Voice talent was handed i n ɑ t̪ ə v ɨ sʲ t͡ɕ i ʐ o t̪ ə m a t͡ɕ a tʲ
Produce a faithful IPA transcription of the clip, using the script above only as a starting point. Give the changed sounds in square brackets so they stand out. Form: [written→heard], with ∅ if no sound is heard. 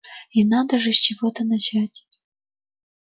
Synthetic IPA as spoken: i n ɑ [t̪→d̪] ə [v→ʐ] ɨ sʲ t͡ɕ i [ʐ→v] o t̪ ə [m→n] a t͡ɕ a tʲ